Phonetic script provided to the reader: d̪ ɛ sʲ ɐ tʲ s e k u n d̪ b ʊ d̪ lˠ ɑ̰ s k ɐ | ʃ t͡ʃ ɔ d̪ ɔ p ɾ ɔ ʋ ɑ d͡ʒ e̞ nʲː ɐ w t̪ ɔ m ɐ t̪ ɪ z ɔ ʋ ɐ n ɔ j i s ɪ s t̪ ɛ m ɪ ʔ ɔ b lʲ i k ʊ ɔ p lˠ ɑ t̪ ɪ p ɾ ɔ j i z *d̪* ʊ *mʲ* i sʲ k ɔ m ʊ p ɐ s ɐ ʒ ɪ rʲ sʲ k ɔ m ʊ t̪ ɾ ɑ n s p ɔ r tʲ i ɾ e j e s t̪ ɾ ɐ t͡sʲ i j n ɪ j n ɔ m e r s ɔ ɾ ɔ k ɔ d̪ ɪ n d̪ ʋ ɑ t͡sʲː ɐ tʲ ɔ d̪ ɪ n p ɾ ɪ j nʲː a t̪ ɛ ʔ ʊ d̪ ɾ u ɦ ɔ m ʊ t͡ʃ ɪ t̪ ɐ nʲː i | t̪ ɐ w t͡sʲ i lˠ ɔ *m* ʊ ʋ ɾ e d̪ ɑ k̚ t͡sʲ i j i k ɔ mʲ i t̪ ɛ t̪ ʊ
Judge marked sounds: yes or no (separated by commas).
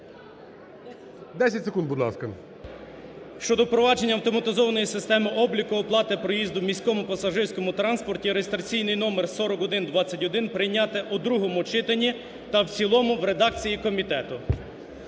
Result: yes, yes, yes